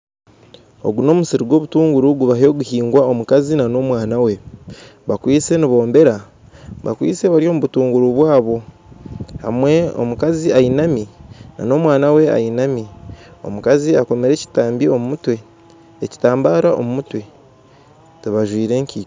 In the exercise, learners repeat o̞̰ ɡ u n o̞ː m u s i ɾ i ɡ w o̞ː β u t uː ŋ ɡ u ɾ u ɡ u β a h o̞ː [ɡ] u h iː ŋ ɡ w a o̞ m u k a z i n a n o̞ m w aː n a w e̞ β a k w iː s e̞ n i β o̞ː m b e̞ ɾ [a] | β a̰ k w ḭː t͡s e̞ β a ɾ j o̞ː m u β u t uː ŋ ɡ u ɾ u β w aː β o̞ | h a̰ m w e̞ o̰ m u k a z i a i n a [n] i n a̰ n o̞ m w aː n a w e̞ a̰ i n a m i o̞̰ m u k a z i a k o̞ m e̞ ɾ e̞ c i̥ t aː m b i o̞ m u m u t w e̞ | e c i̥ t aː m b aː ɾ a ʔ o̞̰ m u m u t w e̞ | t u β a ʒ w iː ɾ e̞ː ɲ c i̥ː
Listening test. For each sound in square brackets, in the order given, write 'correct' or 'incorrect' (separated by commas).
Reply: correct, correct, incorrect